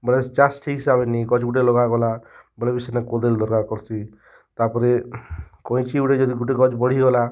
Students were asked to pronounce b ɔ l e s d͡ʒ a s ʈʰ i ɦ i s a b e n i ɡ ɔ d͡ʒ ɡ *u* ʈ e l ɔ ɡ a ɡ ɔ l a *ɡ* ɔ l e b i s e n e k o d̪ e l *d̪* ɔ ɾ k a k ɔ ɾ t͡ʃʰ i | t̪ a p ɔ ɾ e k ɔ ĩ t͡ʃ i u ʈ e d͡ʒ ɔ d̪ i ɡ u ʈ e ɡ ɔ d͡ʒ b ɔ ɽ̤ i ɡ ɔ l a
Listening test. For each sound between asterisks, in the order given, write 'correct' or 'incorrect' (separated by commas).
correct, incorrect, correct